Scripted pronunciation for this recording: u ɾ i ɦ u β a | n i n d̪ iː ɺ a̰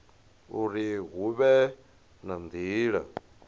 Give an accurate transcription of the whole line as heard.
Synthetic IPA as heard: u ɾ i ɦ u β ɛ | n a n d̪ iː ɺ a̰